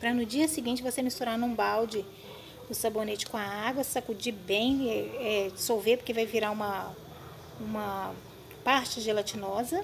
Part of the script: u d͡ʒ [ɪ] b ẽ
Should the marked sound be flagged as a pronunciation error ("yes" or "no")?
yes